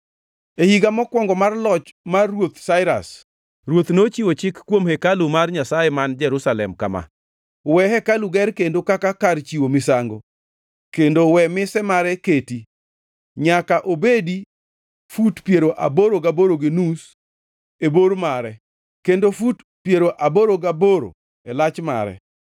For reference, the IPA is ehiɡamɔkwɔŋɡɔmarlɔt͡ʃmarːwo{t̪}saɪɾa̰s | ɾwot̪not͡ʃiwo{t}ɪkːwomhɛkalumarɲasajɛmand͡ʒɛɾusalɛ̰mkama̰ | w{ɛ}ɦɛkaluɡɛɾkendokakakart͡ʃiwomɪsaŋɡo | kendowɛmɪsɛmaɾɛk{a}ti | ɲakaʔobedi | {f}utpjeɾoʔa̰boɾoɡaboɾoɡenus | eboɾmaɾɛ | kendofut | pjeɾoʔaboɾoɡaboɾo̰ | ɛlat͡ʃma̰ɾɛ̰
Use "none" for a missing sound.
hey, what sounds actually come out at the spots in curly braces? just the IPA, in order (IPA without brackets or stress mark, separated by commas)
t̪, t͡ʃ, ɛ, e, f